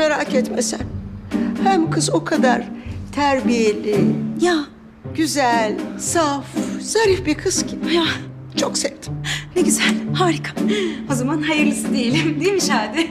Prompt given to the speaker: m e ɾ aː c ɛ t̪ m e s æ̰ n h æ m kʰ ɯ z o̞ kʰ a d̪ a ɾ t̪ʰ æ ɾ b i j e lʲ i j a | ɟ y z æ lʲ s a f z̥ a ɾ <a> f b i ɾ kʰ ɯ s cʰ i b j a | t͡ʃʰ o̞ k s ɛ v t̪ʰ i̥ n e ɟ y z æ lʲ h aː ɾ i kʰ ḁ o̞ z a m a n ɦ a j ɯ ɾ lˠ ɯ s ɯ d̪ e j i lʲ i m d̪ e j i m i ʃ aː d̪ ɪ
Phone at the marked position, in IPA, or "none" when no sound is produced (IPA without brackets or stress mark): i